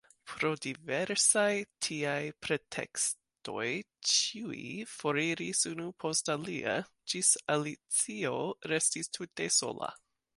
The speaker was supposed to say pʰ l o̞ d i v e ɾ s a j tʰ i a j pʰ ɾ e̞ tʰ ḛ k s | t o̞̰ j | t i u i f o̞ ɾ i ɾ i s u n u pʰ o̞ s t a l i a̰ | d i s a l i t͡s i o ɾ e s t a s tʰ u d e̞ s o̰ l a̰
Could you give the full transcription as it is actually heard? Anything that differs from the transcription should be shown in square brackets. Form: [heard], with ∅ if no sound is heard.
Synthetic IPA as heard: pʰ [ɾ] o̞ d i v e ɾ s a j tʰ i a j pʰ ɾ e̞ tʰ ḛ k s | t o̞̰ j | [t͡ʃ] i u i f o̞ ɾ i ɾ i s u n u pʰ o̞ s t a l i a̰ | [d͡ʒ] i s a l i t͡s i o ɾ e s t [i] s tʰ u [t] e̞ s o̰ l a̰